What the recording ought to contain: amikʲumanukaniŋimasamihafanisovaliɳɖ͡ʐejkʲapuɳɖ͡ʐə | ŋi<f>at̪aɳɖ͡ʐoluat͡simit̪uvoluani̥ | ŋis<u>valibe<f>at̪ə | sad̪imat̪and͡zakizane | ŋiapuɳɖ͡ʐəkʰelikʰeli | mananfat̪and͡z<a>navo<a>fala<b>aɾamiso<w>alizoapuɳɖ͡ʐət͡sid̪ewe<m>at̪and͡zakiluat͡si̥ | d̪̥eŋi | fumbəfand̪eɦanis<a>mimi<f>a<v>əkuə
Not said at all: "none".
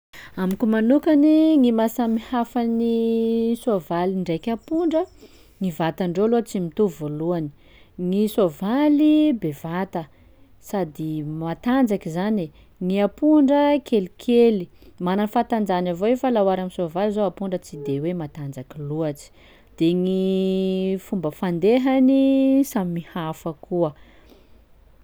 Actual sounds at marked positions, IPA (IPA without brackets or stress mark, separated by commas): v, o, v, a, e, w, v, m, a, h, f